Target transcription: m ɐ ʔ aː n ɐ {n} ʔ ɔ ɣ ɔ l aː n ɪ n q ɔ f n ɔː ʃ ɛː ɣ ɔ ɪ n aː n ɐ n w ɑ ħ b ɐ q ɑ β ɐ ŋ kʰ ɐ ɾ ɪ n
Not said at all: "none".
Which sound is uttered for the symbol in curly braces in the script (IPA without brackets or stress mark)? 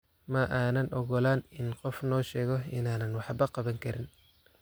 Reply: n